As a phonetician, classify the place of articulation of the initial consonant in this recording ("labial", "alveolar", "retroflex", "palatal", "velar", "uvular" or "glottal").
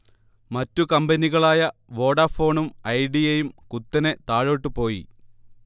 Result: labial